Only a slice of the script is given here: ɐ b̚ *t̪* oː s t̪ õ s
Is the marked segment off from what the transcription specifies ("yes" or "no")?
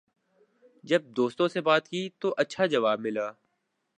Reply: yes